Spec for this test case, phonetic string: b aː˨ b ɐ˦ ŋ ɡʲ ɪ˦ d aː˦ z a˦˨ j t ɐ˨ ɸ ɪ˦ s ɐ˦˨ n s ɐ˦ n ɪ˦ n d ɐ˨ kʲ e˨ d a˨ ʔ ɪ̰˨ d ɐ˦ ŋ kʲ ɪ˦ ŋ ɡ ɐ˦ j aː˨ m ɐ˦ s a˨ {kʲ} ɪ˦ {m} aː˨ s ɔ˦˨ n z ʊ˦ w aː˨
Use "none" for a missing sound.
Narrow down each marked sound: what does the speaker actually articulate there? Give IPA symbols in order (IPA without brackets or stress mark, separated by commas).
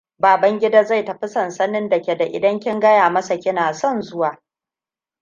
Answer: kʲ, n